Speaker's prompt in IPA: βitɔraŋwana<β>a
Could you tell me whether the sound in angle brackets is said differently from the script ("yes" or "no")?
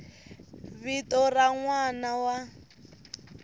yes